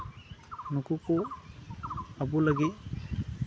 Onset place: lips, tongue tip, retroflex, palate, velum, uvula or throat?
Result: tongue tip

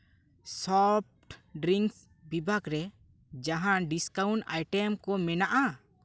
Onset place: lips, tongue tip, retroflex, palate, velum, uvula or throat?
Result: tongue tip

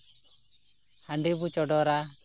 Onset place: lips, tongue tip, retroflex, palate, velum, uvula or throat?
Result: throat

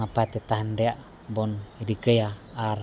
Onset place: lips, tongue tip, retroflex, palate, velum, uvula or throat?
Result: lips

